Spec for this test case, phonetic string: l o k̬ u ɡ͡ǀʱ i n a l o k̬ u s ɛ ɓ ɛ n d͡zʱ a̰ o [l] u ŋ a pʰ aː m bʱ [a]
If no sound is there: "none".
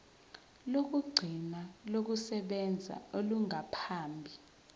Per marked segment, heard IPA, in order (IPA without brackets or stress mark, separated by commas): l, i